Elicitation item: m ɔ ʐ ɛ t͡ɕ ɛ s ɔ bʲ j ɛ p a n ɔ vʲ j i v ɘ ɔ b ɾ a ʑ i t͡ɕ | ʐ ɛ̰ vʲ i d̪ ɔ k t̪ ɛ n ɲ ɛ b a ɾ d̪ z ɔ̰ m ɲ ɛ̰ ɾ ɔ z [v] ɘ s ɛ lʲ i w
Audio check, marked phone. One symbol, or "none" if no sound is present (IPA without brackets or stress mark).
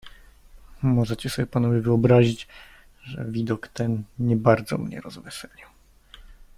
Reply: v